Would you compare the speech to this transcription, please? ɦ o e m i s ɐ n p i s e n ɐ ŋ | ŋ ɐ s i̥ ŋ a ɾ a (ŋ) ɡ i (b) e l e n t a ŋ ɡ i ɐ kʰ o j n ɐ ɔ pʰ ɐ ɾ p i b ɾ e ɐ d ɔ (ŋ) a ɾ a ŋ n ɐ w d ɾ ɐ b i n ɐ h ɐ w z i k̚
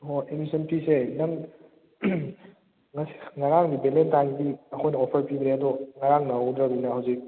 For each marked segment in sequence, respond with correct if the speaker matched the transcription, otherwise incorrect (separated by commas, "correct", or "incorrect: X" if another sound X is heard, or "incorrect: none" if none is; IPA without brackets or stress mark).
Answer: correct, correct, correct